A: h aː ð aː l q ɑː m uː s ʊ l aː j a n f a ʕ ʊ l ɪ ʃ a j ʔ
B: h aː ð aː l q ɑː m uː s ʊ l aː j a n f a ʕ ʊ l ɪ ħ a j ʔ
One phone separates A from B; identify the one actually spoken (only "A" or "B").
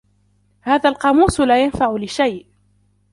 A